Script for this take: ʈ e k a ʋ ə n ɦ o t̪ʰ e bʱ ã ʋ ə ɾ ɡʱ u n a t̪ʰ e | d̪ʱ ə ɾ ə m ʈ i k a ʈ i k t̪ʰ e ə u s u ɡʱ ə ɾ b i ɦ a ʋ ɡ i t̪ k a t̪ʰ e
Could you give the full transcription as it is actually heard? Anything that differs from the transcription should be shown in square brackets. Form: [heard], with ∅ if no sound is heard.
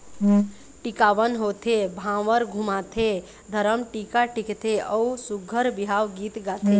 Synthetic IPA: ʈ [i] k a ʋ ə n ɦ o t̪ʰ e bʱ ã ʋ ə ɾ ɡʱ u [m] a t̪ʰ e | d̪ʱ ə ɾ ə m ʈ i k a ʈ i k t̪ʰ e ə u s u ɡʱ ə ɾ b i ɦ a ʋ ɡ i t̪ [ɡ] a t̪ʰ e